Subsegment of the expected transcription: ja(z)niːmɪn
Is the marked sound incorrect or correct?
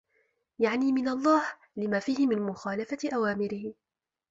incorrect